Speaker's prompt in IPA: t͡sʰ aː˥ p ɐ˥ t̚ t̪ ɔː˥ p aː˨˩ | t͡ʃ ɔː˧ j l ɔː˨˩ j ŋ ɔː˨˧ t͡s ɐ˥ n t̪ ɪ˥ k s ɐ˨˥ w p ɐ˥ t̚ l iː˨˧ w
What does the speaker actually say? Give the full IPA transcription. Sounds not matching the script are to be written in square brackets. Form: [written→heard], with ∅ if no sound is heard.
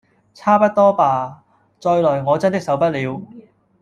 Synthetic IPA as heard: t͡sʰ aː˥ p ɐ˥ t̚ t̪ ɔː˥ p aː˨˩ | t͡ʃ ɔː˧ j l ɔː˨˩ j ŋ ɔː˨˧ t͡s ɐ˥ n t̪ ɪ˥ k s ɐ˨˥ w p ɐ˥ t̚ l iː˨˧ w